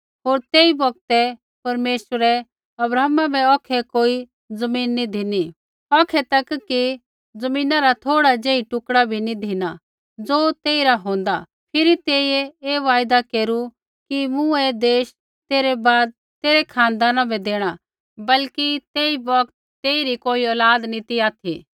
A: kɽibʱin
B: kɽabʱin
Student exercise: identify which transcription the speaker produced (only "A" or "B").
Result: B